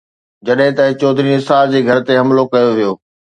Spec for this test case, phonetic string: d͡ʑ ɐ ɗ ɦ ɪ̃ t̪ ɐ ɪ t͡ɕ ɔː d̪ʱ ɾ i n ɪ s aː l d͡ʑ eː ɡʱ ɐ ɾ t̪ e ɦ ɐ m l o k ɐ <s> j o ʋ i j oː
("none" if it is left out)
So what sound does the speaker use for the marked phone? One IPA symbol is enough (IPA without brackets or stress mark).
none